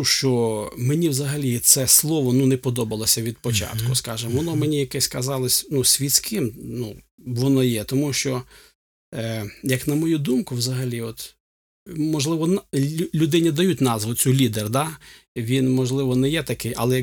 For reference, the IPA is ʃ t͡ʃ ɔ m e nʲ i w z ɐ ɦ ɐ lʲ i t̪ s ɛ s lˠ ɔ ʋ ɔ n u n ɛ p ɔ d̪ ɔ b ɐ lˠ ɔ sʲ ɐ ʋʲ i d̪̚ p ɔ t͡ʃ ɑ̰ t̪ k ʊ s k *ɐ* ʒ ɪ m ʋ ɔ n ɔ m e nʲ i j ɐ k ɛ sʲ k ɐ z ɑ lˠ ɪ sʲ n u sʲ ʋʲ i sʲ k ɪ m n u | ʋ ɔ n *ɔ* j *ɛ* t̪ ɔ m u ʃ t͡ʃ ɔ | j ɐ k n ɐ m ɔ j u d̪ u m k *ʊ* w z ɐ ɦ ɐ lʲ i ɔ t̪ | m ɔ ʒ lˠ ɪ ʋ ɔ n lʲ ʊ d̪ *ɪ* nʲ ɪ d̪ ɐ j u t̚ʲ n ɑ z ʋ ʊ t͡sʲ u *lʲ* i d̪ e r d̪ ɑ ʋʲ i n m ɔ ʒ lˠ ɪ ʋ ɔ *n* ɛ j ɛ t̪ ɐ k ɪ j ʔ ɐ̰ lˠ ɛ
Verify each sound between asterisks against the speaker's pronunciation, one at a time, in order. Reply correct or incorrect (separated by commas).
incorrect, correct, correct, correct, correct, correct, correct